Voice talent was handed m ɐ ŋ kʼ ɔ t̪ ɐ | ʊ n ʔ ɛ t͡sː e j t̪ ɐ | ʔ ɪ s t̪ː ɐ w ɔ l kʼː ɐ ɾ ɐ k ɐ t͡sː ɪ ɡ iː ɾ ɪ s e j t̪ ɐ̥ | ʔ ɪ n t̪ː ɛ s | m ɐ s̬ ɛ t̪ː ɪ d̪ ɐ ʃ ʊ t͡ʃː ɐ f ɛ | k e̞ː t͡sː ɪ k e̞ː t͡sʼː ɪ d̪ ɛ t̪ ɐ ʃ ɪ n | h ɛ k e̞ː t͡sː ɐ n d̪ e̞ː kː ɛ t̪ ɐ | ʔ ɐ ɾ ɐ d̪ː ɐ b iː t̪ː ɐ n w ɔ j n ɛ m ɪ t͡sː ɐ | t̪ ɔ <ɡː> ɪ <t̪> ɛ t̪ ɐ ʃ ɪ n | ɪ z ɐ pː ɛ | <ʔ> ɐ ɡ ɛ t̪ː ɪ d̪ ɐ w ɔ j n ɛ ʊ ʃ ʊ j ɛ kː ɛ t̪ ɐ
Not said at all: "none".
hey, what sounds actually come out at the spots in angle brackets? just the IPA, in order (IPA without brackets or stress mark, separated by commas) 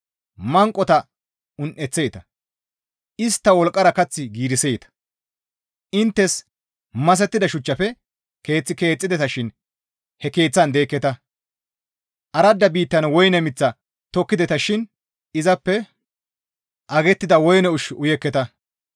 kː, d̪, ʔ